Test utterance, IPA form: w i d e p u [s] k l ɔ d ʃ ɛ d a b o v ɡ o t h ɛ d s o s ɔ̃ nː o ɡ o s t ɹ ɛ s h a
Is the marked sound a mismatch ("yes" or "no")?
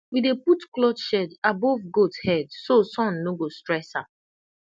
yes